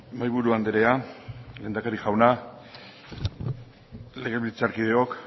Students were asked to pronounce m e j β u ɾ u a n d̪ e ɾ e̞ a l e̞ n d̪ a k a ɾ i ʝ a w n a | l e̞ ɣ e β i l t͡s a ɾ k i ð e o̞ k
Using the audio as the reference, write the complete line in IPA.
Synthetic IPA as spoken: m a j β u ɾ u a n d̪ e ɾ e̞ a l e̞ n d̪ a k a ɾ i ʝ a w n a | l e̞ ɣ e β i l t͡s a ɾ k i ð e o̞ k